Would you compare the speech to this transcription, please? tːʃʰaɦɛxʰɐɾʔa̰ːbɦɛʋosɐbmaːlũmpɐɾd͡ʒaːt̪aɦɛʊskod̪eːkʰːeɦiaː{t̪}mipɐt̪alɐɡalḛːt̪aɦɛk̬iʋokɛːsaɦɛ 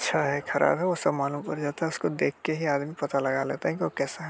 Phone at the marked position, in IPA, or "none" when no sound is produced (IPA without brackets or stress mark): d̪